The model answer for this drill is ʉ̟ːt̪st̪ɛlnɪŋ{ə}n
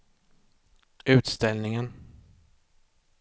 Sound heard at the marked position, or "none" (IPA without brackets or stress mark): ə